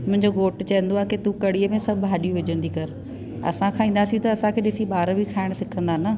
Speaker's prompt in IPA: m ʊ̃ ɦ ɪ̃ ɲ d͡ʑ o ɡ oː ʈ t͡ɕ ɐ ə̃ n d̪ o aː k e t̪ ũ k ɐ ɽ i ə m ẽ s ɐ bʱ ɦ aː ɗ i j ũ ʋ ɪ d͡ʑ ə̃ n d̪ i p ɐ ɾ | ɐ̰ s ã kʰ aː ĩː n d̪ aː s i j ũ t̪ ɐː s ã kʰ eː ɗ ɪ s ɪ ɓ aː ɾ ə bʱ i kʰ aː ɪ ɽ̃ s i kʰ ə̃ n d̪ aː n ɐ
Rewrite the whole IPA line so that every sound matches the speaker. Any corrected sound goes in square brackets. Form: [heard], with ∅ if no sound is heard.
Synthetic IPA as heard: m ʊ̃ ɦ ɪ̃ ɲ d͡ʑ o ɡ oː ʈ t͡ɕ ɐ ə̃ n d̪ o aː k e t̪ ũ k ɐ ɽ i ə m ẽ s ɐ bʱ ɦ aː ɗ i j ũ ʋ ɪ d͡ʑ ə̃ n d̪ i [k] ɐ ɾ | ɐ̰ s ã kʰ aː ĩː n d̪ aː s i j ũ t̪ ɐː s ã kʰ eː ɗ ɪ s [i] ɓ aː ɾ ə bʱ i kʰ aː ɪ ɽ̃ s [ɪ] kʰ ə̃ n d̪ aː n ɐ